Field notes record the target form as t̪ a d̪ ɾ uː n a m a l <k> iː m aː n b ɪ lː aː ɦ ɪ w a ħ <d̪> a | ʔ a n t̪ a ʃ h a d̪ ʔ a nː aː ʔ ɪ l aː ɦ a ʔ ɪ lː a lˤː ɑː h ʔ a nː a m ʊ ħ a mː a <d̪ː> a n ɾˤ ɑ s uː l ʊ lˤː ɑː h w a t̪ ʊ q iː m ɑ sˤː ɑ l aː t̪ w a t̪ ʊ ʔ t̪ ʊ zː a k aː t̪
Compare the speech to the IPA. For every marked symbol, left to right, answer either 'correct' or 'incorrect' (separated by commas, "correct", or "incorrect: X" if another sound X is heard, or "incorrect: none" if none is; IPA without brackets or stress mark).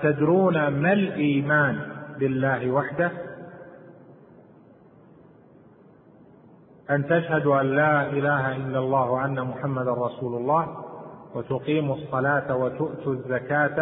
incorrect: ʔ, correct, incorrect: d̪